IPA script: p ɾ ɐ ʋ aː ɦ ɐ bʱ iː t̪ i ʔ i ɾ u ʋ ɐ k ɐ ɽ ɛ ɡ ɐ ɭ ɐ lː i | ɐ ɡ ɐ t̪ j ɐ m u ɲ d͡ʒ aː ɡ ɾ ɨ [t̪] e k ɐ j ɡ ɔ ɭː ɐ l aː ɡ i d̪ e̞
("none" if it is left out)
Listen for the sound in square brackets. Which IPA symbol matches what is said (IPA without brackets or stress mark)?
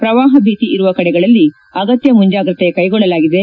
t̪